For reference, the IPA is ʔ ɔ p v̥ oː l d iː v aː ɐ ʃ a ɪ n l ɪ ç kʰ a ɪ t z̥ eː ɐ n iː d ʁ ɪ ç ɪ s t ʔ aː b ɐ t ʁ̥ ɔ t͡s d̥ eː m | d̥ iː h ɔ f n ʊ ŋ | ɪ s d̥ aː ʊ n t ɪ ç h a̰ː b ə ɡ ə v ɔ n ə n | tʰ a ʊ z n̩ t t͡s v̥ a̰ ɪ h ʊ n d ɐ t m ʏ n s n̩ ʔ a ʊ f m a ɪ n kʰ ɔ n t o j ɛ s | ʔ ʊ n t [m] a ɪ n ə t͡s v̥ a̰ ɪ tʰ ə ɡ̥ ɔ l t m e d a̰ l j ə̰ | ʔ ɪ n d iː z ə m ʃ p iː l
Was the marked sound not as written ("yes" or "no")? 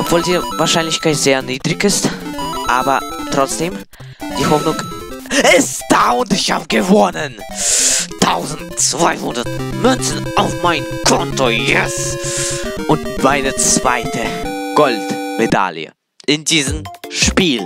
no